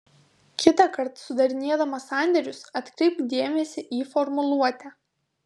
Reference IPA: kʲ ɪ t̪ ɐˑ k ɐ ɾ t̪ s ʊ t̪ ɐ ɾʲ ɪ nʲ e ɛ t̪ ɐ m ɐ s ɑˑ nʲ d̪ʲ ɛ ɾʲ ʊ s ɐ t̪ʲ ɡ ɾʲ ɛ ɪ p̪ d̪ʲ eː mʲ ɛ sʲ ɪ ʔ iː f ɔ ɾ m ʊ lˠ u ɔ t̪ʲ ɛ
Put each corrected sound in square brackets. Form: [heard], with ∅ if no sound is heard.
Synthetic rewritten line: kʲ ɪ t̪ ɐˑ k ɐ ɾ t̪ s ʊ [d̪] ɐ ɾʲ ɪ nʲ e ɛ [d̪] ɐ m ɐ s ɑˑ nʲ d̪ʲ ɛ ɾʲ ʊ s ɐ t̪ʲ [k] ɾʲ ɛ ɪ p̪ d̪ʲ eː mʲ ɛ sʲ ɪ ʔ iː f ɔ ɾ m ʊ lˠ u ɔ t̪ʲ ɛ